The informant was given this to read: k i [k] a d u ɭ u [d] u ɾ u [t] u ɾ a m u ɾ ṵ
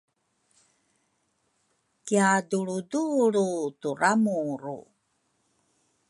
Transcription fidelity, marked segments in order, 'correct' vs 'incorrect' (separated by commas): incorrect, correct, correct